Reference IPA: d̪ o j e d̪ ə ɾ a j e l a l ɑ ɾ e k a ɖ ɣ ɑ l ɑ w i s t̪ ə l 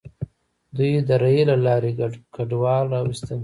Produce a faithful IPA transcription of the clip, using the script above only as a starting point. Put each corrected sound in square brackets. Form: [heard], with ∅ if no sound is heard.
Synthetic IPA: d̪ [u] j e d̪ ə ɾ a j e l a l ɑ ɾ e k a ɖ [w] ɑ l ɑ w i s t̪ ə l